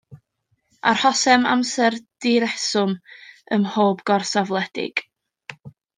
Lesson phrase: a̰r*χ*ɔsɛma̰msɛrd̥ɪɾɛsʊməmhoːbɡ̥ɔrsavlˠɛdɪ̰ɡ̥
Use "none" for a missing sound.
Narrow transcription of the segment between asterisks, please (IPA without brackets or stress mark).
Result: h